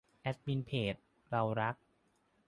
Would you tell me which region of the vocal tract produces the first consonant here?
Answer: throat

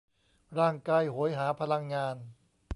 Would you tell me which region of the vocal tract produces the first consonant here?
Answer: tongue tip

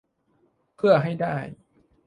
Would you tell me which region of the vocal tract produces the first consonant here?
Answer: lips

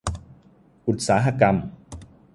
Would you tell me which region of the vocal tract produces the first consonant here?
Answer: throat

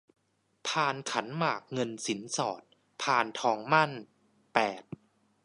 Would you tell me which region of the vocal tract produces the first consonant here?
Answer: lips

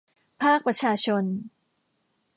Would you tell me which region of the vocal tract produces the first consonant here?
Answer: lips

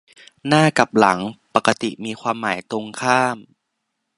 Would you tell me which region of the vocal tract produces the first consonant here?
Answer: tongue tip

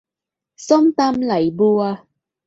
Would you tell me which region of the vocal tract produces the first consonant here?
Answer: tongue tip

